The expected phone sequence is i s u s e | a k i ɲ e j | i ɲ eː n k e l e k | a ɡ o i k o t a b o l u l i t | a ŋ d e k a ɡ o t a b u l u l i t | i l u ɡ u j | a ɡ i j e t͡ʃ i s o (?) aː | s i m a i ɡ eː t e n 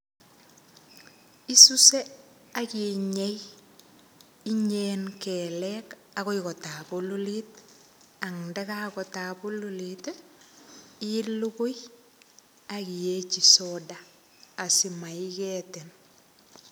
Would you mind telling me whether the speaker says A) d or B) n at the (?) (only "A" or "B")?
A